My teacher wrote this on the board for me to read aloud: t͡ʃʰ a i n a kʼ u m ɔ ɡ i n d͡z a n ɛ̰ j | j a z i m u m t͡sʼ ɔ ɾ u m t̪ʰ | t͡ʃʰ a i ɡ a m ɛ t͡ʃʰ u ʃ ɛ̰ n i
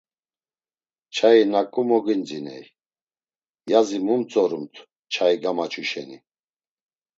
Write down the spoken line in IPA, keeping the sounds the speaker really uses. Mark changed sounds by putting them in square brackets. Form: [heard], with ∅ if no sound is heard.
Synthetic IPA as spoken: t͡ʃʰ a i n a kʼ u m ɔ ɡ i n d͡z [i] n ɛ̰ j | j a z i m u m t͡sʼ ɔ ɾ u m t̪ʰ | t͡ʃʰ a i ɡ a m [a] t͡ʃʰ u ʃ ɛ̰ n i